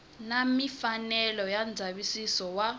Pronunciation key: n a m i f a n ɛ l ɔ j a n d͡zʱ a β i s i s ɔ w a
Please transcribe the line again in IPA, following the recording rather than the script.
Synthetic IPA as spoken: n a m i f a n ɛ l ɔ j a n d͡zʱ a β i s i s ɔ w a